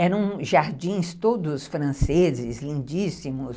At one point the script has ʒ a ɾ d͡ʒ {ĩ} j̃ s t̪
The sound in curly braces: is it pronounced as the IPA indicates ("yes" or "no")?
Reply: yes